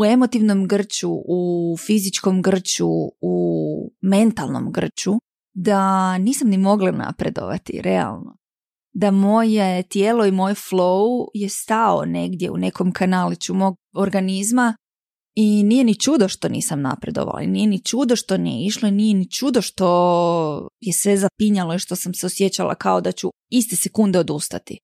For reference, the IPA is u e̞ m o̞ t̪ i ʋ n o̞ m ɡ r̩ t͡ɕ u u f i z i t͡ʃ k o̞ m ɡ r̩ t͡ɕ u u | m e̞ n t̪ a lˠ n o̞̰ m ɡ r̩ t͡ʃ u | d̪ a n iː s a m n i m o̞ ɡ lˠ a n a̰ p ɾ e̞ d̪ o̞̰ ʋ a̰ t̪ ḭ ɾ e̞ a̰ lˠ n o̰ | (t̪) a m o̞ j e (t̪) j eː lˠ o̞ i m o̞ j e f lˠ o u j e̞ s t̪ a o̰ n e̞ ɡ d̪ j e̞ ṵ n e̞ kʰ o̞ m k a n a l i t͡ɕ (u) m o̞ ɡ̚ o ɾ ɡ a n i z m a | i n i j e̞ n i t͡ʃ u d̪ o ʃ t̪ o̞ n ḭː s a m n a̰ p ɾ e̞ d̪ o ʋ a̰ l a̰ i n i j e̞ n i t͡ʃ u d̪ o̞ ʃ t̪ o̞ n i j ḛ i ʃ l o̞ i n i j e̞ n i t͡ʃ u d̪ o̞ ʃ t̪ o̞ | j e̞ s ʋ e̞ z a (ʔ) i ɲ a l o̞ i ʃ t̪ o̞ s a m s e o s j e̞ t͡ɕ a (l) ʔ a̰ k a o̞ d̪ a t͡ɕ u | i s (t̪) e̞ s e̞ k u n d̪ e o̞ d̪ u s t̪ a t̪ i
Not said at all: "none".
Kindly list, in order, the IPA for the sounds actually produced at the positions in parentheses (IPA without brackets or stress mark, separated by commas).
d̪, t̪, u, p, l, t̪